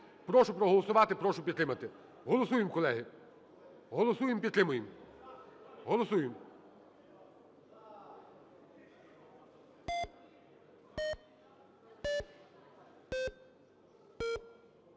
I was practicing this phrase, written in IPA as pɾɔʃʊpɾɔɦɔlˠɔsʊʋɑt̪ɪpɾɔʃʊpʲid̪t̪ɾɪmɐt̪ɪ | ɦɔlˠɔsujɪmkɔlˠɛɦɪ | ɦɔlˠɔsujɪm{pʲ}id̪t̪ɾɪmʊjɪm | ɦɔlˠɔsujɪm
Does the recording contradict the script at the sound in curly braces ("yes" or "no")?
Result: no